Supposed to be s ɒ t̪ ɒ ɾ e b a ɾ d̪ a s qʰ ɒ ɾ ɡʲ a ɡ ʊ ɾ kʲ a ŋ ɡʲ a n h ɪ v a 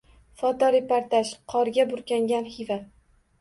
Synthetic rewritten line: f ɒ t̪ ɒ ɾ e p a ɾ t̪ a ʃ qʰ ɒ ɾ ɡʲ a b ʊ ɾ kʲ a ŋ ɡʲ a n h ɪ v a

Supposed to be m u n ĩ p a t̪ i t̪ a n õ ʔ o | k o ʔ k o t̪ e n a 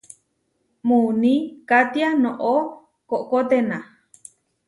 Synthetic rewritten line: m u n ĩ k a t̪ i a n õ ʔ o | k o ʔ k o t̪ e n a

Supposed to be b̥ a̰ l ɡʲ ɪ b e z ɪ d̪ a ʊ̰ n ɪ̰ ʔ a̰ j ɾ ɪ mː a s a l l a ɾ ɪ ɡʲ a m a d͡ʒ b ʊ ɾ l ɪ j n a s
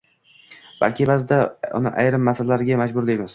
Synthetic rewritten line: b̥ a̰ l kʲ ɪ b a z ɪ d̪ a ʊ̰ n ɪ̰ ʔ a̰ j ɾ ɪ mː a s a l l a ɾ ɪ ɡʲ a m a d͡ʒ b ʊ ɾ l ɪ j m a s

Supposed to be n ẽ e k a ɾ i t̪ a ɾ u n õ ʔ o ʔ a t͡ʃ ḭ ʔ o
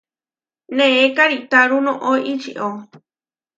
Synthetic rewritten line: n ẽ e k a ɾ i t̪ a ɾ u n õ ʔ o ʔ i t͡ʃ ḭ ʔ o

